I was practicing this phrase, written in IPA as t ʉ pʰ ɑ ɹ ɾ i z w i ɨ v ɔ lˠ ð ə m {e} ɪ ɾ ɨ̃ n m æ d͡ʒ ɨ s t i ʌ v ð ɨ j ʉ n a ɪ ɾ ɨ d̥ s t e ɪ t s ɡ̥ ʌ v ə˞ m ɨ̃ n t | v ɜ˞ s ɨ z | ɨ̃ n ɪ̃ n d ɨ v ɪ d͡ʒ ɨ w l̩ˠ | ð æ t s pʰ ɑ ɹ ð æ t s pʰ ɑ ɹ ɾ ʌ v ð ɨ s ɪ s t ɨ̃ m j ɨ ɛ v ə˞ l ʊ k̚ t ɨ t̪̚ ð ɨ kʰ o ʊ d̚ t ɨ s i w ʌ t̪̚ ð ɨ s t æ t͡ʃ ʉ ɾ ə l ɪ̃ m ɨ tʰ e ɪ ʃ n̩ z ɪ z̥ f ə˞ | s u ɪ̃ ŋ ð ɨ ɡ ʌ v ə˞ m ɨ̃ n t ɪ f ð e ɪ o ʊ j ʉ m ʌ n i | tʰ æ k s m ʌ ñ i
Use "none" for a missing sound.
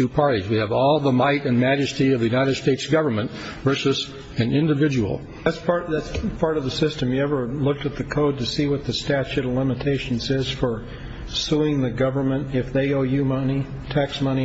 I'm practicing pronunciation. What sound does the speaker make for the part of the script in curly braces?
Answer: a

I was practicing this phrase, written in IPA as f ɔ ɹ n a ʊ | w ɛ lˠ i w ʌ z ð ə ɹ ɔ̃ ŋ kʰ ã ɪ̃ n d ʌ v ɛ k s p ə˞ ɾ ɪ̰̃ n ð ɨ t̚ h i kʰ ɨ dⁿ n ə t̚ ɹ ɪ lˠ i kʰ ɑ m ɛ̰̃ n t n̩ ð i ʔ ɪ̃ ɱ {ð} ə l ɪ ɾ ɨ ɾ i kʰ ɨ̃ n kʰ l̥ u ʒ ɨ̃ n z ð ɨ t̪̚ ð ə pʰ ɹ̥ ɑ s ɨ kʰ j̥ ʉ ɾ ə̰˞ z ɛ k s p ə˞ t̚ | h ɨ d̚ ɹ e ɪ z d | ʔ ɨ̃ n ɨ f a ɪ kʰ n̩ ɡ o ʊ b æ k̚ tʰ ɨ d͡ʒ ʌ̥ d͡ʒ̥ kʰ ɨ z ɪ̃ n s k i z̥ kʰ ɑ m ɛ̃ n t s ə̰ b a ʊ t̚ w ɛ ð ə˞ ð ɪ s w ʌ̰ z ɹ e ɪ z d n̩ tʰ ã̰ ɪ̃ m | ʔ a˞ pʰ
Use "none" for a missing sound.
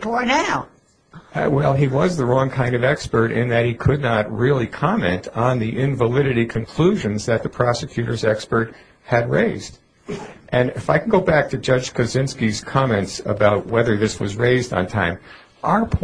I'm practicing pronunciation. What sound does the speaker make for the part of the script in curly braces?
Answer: v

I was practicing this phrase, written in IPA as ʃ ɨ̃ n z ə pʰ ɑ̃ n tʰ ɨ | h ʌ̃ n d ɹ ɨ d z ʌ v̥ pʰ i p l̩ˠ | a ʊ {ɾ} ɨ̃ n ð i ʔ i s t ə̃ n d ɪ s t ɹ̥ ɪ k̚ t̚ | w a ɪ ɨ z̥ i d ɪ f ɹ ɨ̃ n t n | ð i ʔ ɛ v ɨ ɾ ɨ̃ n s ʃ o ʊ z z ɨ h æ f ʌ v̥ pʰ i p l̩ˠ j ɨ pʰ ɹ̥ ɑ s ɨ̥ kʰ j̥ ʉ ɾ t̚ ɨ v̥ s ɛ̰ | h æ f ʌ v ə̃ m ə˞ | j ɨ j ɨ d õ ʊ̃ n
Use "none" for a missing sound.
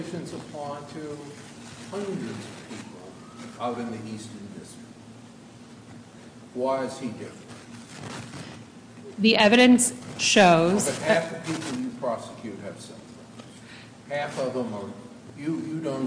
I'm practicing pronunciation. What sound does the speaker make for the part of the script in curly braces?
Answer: ɾ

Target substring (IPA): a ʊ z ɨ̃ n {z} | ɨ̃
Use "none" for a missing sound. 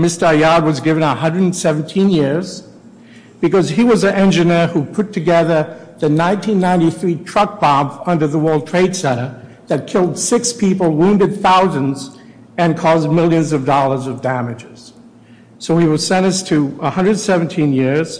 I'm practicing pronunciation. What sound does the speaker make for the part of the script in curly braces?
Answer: z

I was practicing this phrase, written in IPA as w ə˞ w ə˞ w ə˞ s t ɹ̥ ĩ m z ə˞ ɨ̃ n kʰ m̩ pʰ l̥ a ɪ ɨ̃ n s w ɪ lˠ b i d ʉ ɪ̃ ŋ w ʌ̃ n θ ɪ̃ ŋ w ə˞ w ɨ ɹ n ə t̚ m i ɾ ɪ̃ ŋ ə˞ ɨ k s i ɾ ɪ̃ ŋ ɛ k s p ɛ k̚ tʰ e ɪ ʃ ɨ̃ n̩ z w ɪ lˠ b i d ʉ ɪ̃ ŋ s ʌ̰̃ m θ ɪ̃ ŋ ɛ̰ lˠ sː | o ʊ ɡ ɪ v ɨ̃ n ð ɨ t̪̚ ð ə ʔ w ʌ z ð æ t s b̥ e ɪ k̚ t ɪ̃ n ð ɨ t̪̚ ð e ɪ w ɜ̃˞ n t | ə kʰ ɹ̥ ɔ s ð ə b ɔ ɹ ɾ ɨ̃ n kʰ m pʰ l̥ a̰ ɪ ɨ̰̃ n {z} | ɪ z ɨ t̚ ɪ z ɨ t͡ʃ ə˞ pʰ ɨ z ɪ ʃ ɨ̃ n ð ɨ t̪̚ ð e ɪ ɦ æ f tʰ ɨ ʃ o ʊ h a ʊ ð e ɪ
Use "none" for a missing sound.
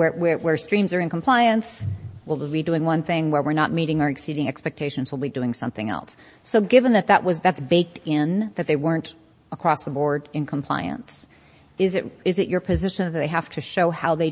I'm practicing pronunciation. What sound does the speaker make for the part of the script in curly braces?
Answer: s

